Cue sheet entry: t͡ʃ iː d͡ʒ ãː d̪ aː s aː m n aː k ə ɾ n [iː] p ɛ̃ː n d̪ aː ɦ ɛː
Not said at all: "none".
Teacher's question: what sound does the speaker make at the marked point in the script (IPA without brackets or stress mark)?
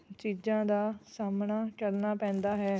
aː